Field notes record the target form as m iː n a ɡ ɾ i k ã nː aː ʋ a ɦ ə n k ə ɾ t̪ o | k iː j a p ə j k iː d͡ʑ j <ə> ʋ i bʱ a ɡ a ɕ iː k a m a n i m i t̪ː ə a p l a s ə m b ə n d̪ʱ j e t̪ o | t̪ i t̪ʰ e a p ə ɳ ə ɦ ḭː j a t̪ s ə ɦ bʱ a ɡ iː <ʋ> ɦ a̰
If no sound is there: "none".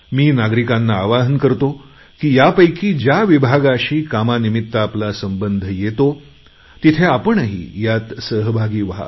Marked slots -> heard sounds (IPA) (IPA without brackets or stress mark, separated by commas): a, ʋ